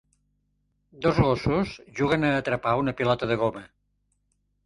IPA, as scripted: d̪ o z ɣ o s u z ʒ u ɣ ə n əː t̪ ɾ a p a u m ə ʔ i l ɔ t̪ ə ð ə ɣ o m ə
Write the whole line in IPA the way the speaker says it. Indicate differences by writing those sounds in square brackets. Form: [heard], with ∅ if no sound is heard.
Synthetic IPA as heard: d̪ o z ɣ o s u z ʒ u ɣ ə n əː t̪ ɾ [ə] p a u [n] ə [p] i l ɔ t̪ ə ð ə ɣ o m ə